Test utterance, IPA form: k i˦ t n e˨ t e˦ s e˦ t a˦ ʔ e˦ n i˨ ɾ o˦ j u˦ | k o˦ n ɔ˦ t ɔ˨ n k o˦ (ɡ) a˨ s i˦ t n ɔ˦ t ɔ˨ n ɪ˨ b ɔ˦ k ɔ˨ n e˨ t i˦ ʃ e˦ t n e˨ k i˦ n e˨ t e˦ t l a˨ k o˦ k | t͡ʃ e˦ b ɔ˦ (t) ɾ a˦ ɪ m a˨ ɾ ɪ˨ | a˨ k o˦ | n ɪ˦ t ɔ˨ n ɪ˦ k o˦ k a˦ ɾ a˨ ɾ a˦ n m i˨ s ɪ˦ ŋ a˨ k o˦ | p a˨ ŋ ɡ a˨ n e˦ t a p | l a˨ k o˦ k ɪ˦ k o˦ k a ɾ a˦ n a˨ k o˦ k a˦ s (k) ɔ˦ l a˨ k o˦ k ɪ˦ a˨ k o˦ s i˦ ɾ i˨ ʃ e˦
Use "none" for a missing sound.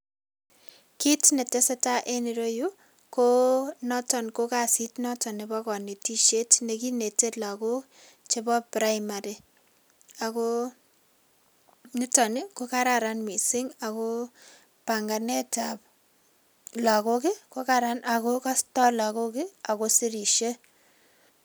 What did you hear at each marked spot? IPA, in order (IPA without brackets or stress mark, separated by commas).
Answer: k, p, t